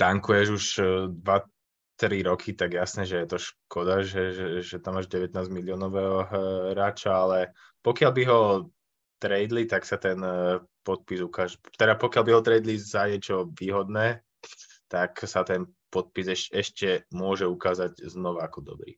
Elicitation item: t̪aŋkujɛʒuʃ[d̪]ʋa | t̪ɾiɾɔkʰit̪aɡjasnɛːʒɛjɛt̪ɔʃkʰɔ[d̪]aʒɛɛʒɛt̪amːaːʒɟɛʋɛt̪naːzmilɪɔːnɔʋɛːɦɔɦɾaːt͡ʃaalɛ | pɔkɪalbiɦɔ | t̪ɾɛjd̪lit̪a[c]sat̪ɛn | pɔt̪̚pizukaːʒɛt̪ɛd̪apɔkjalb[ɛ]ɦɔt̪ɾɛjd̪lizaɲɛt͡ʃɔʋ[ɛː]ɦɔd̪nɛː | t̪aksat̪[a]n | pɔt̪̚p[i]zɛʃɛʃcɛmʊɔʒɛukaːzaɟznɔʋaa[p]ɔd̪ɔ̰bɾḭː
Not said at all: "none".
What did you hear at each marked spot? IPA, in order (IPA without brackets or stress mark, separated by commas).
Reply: d̪, d̪, k, i, iː, ɛ, i, k